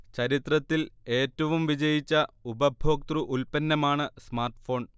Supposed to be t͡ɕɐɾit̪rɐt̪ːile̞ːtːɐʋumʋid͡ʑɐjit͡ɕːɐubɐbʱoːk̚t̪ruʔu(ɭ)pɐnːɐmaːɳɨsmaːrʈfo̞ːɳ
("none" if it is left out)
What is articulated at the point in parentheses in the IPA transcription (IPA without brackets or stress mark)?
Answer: l